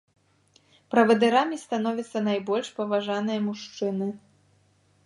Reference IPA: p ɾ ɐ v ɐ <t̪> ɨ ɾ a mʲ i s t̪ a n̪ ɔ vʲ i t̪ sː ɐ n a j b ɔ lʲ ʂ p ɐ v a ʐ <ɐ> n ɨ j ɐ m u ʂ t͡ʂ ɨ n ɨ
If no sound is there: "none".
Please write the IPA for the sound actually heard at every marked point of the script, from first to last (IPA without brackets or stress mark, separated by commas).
d̪, a